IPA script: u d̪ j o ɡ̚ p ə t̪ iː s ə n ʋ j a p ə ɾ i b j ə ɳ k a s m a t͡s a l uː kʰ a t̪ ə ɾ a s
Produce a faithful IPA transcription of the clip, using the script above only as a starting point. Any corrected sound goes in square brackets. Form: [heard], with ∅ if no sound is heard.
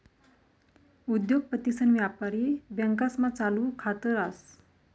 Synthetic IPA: u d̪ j o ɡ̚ p ə t̪ [i] s ə n ʋ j a p [a] ɾ i b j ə [ŋ] k a s m a t͡s a l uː kʰ a t̪ ə ɾ a s

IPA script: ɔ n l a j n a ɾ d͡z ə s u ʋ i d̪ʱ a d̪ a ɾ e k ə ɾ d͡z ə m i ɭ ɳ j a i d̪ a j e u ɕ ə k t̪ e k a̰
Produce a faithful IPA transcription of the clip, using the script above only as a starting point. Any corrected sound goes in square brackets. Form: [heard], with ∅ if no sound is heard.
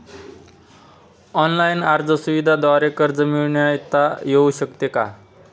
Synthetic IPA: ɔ n l a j n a ɾ d͡z ə s u ʋ i d̪ʱ a d̪ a ɾ e k ə ɾ d͡z ə m i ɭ ɳ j a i [t̪] a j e u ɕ ə k t̪ e k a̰

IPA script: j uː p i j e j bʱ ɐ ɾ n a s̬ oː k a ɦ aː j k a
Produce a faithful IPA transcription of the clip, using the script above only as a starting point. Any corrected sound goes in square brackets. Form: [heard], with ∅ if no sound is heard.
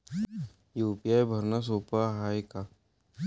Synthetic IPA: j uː p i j [a] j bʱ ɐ ɾ n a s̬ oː [p] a ɦ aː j k a

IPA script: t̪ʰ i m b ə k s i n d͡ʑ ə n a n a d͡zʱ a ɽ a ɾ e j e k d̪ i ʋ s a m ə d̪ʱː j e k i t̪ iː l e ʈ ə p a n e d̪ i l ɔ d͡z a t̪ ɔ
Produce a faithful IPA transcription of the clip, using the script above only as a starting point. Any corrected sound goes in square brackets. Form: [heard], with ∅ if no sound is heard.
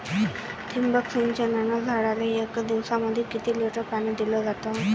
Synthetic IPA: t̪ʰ i m b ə k s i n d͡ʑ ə n a n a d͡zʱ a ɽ a [l] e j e k d̪ i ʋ s a m ə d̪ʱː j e k i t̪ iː l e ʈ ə p a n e d̪ i l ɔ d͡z a t̪ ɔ

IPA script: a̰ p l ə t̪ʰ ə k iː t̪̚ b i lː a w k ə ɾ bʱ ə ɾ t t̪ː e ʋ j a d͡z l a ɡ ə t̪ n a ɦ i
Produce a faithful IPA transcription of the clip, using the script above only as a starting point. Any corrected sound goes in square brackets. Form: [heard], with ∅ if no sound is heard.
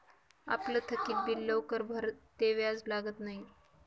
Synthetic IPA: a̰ p l ə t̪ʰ ə k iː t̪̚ b i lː [ə] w k ə ɾ bʱ ə ɾ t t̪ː e ʋ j a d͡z l a ɡ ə t̪ n a ɦ i

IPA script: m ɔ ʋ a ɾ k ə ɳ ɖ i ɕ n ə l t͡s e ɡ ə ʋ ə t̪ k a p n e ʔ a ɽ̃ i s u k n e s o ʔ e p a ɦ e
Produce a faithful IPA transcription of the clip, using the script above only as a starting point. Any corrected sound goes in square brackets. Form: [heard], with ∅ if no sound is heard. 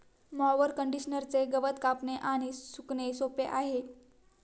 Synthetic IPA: m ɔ ʋ [ə] ɾ k ə ɳ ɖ i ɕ n ə [ɾ] t͡s e ɡ ə ʋ ə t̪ k a p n e ʔ a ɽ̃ i s u k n e s o [p] e [ʔ] a ɦ e

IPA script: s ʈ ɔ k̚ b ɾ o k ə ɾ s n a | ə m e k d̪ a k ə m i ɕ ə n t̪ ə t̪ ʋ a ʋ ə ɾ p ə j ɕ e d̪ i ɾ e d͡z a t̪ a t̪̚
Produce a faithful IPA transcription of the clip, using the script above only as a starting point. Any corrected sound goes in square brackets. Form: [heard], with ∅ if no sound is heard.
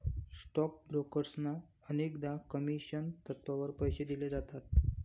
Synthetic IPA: s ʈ ɔ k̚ b ɾ o k ə ɾ s n a | ə [n] e k d̪ a k ə m i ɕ ə n t̪ ə t̪ ʋ a ʋ ə ɾ p ə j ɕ e d̪ i [l] e d͡z a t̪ a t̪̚

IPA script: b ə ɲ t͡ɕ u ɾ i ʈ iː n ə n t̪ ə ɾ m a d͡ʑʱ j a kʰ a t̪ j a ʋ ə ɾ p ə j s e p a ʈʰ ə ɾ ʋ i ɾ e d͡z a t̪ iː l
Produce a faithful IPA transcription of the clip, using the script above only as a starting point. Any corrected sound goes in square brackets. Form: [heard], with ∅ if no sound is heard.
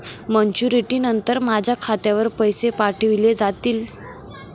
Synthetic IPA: [m] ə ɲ t͡ɕ u ɾ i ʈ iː n ə n t̪ ə ɾ m a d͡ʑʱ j a kʰ a t̪ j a ʋ ə ɾ p ə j s e p a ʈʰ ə [∅] ʋ i [l] e d͡z a t̪ iː l

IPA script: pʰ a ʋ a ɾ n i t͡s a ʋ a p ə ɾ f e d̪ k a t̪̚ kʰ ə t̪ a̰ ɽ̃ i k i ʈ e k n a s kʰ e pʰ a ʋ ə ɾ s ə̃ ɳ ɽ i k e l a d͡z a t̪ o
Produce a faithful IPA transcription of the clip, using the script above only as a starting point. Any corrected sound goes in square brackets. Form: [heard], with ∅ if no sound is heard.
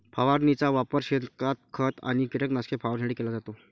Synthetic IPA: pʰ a ʋ a ɾ n i t͡s a ʋ a p ə ɾ [ɕ] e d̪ k a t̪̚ kʰ ə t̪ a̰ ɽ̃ i k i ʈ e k n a s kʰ e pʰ a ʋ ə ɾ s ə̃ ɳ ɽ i k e l a d͡z a t̪ o

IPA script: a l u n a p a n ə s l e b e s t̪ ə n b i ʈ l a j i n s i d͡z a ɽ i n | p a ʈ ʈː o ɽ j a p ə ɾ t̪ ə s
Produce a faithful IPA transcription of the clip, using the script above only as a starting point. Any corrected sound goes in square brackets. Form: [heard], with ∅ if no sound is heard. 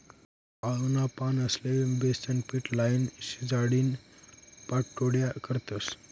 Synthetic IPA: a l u n a p a n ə s l e b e s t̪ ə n [p] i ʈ l a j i n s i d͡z a ɽ i n | p a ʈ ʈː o ɽ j a [k] ə ɾ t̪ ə s

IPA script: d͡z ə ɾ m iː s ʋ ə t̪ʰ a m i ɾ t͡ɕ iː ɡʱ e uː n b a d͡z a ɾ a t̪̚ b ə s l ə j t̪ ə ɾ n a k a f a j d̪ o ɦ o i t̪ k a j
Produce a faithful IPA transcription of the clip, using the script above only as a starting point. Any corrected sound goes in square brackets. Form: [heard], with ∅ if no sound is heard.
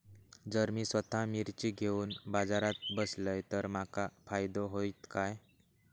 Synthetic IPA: d͡z ə ɾ m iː s ʋ ə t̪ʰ a m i ɾ t͡ɕ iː ɡʱ e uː n b a d͡z a ɾ a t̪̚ b ə s l ə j t̪ ə ɾ [m] a k a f a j d̪ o ɦ o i t̪ k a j

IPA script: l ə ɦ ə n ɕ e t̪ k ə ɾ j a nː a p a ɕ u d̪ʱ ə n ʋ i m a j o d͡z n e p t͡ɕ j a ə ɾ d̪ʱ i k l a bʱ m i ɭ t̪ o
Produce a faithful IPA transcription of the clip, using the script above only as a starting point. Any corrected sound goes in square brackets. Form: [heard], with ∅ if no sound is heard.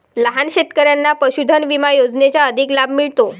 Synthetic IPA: l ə ɦ [a] n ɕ e t̪ k ə ɾ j a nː a p [ə] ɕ u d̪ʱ ə n ʋ i m a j o d͡z n e [∅] t͡ɕ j a ə [∅] d̪ʱ i k l a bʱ m i ɭ t̪ o

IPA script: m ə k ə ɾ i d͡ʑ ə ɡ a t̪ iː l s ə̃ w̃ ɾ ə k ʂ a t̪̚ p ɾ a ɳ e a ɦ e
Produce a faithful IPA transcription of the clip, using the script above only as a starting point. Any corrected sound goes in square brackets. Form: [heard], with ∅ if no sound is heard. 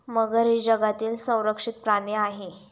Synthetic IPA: m ə [ɡ] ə ɾ i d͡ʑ ə ɡ a t̪ iː l s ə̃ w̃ ɾ ə k ʂ [i] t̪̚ p ɾ a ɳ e a ɦ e

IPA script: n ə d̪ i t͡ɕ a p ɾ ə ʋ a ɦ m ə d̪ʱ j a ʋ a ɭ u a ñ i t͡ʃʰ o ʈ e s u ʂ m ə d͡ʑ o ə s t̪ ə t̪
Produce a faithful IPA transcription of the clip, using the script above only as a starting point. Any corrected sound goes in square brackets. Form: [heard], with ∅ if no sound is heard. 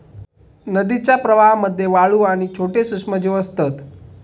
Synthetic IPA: n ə d̪ i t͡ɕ a p ɾ ə ʋ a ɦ m ə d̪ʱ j [e] ʋ a ɭ u a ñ i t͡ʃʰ o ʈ e s u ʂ m ə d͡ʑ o ə s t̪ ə t̪

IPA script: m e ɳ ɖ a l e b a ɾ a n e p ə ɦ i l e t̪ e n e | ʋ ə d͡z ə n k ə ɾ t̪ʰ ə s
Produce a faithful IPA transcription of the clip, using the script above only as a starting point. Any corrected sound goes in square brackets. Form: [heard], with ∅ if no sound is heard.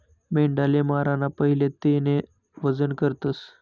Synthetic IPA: m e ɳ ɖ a l e [m] a ɾ a n [a] p ə ɦ i l e t̪ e n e | ʋ ə d͡z ə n k ə ɾ [t̪] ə s

